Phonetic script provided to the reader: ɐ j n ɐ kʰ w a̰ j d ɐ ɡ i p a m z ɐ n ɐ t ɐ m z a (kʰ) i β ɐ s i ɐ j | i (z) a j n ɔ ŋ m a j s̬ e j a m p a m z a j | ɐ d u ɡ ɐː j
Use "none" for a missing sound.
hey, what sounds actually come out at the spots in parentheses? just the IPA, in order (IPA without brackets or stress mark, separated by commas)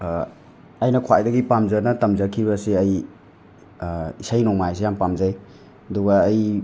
kʰ, s